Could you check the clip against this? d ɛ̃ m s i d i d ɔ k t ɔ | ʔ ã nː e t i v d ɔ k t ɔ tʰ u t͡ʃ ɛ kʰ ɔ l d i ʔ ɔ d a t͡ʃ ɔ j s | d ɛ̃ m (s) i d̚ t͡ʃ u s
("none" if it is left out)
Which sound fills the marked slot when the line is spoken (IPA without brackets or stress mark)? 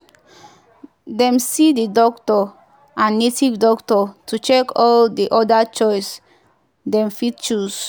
f